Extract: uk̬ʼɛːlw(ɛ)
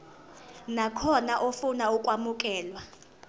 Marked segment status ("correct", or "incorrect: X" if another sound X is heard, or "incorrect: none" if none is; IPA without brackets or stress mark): incorrect: a